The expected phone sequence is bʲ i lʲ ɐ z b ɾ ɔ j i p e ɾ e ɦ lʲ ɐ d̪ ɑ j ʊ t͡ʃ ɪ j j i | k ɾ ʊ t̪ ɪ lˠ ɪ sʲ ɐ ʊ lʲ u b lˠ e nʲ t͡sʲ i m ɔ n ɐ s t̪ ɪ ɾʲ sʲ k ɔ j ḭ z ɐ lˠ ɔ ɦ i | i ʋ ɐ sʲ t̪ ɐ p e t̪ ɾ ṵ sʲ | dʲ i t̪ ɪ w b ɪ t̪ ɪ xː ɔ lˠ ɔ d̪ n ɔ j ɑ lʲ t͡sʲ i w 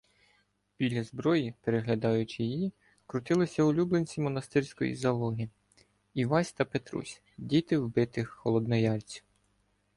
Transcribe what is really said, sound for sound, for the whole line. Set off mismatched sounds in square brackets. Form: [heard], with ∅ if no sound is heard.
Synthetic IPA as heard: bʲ i lʲ ɐ z b ɾ ɔ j i p e ɾ e ɦ lʲ ɐ d̪ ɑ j ʊ t͡ʃ ɪ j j i | k ɾ ʊ t̪ ɪ lˠ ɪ sʲ ɐ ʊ lʲ u b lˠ e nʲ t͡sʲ i m ɔ n ɐ s t̪ ɪ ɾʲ sʲ k ɔ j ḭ z ɐ lˠ ɔ ɦ i | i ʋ [ɑ] sʲ t̪ ɐ p e t̪ ɾ ṵ sʲ | dʲ i t̪ ɪ w b ɪ t̪ ɪ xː ɔ lˠ ɔ d̪ n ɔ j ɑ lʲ t͡sʲ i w